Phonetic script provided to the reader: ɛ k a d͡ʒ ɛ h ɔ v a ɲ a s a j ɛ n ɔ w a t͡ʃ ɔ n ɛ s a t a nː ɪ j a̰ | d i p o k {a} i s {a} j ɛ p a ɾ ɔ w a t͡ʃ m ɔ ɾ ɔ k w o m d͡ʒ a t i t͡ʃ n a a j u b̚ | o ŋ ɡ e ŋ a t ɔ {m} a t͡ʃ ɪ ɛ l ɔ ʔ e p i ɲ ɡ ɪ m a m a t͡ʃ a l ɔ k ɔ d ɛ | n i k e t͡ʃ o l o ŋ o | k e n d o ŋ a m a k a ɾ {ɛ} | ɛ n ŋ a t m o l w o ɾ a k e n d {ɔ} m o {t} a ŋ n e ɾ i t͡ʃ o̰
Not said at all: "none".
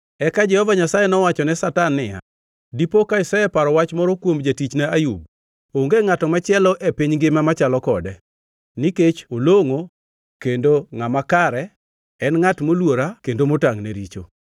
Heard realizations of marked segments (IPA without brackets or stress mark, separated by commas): a, a, m, ɛ, o, t